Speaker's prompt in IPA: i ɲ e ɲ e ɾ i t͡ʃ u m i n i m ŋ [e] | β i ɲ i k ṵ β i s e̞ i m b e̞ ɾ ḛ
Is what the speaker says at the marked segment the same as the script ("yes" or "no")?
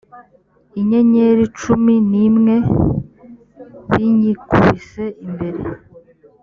yes